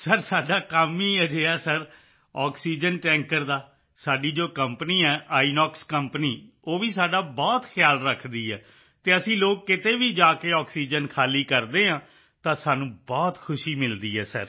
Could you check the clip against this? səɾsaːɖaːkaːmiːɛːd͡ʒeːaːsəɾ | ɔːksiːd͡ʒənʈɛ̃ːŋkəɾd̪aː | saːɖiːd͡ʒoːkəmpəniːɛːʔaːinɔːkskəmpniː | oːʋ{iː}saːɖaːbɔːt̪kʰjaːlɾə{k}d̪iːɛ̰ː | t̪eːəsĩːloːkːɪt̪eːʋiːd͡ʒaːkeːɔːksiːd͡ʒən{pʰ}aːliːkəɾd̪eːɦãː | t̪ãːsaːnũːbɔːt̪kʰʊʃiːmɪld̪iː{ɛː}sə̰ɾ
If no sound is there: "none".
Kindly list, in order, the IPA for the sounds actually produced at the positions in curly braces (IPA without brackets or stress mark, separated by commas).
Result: iː, kʰ, kʰ, ɛː